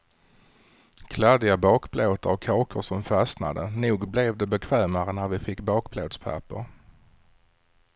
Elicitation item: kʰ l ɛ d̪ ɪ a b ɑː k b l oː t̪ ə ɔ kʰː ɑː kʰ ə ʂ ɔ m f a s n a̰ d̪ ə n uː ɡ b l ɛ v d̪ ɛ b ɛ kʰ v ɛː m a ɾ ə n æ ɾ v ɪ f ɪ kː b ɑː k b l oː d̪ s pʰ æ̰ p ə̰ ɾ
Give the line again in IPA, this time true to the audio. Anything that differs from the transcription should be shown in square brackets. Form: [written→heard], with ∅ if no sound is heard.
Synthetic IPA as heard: kʰ l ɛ d̪ ɪ a b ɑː k b l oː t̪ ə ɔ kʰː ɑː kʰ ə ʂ ɔ m f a s n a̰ d̪ ə n uː ɡ b l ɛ v d̪ ɛ b ɛ kʰ v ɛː m a ɾ ə n æ ɾ v ɪ f ɪ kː b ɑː k b l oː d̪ s pʰ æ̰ p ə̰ ɾ

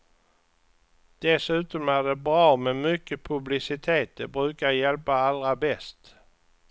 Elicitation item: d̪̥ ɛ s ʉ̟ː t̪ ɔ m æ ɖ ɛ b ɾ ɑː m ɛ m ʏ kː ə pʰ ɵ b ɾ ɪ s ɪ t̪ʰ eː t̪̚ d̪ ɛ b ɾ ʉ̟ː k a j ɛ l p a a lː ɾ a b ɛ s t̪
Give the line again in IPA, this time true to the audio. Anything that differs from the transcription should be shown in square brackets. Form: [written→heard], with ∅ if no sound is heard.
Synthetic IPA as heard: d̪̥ ɛ s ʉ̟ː t̪ ɔ m æ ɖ ɛ b ɾ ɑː m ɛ m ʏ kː ə pʰ ɵ b [ɾ→l] ɪ s ɪ t̪ʰ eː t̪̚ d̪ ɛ b ɾ ʉ̟ː k a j ɛ l p a a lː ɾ a b ɛ s t̪

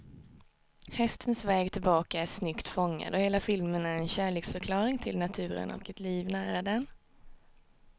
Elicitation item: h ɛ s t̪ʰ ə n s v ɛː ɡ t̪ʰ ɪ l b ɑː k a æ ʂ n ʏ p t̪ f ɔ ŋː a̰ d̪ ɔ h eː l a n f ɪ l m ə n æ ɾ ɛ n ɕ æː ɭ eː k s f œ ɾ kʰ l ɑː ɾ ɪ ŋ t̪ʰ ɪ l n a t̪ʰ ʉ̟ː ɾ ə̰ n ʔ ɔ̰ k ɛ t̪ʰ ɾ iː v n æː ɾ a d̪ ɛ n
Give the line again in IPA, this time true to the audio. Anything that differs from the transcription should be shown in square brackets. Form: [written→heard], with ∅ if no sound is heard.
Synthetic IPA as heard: h ɛ s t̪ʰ ə n s v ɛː ɡ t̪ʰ ɪ l b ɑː k a æ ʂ n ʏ [p→k] t̪ f ɔ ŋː a̰ d̪ ɔ h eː l a [n→∅] f ɪ l m ə n æ ɾ ɛ n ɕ æː ɭ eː k s f œ ɾ kʰ l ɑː ɾ ɪ ŋ t̪ʰ ɪ l n a t̪ʰ ʉ̟ː ɾ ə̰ n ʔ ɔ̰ k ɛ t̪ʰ [ɾ→l] iː v n æː ɾ a d̪ ɛ n

